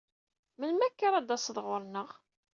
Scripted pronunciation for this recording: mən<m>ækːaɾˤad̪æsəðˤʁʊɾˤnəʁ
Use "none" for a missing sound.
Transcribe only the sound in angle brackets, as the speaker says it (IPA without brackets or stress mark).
m